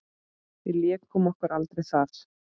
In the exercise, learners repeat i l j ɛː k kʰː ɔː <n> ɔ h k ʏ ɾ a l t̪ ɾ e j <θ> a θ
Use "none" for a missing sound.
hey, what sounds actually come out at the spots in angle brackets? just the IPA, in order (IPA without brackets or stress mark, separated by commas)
m, θ